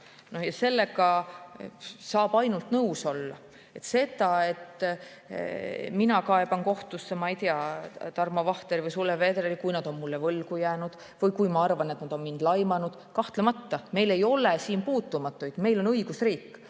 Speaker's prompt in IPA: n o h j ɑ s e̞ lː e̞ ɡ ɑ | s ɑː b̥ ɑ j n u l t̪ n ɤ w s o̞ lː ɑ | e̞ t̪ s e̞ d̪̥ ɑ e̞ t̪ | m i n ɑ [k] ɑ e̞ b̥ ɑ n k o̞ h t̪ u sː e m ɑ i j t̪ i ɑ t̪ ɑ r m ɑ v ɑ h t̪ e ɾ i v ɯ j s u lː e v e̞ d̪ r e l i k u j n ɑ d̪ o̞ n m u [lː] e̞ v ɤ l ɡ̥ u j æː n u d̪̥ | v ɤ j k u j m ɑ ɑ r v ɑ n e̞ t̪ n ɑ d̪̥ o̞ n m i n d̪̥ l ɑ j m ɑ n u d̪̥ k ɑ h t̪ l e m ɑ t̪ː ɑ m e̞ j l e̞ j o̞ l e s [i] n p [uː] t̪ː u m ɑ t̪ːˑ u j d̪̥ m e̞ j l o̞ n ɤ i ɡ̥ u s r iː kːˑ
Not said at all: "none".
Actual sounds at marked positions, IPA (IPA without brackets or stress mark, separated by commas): k, lː, iː, uː